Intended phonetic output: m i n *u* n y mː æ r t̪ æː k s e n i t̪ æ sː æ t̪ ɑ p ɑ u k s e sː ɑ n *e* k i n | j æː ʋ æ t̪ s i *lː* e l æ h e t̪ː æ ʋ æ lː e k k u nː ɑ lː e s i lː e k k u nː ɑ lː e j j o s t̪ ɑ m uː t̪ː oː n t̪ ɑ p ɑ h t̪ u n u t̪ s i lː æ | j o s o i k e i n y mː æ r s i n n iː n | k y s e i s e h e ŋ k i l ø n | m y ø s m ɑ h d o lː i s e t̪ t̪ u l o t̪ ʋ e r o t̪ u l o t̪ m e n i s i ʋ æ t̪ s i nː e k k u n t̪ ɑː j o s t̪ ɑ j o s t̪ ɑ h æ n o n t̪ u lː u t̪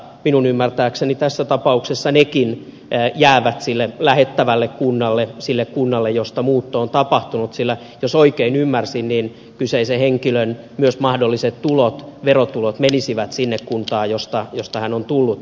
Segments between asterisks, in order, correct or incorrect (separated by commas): correct, correct, correct